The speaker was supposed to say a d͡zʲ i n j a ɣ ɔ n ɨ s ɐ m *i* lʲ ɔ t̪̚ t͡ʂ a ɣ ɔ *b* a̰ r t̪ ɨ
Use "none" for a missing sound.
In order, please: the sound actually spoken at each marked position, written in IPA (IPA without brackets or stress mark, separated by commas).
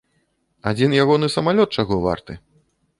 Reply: a, v